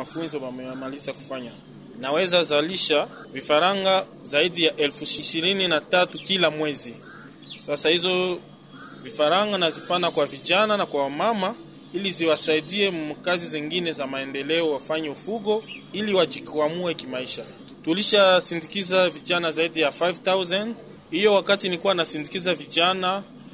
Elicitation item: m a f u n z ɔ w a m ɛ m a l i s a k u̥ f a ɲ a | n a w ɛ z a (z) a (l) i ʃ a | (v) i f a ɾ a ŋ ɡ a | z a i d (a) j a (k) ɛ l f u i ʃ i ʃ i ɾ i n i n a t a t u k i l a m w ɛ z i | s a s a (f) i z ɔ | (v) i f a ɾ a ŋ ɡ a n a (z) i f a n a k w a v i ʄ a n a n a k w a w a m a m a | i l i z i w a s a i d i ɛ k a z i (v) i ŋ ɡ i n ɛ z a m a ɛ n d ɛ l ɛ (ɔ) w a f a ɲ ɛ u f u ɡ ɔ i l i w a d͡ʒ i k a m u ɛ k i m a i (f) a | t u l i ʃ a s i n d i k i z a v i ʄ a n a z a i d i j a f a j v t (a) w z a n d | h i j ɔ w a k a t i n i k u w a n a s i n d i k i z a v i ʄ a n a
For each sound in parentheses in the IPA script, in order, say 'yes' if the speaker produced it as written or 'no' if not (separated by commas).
yes, yes, yes, no, no, no, yes, yes, no, yes, no, yes